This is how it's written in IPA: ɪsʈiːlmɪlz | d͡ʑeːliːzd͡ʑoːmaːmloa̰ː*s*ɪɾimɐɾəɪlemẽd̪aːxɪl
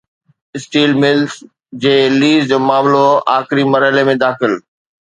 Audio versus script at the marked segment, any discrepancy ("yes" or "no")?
yes